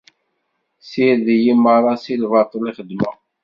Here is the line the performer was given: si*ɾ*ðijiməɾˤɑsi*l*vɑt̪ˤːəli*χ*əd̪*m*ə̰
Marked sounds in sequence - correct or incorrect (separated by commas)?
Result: correct, correct, correct, correct